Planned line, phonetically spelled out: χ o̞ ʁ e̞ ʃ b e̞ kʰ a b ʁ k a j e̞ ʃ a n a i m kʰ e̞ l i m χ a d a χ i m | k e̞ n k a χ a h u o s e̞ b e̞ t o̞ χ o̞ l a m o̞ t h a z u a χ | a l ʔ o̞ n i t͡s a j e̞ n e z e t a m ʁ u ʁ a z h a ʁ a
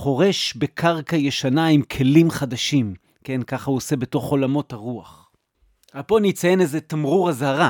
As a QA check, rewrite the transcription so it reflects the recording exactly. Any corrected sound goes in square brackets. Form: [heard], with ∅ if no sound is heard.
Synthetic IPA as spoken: χ o̞ ʁ e̞ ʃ b e̞ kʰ a [∅] ʁ k a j e̞ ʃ a n a i m kʰ e̞ l i m χ a d a [ʃ] i m | k e̞ n k a χ a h u o s e̞ b e̞ t o̞ χ o̞ l a m o̞ t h a [ʁ] u a χ | a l [p] o̞ n i t͡s a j e̞ n e z e t a m ʁ u ʁ a z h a ʁ a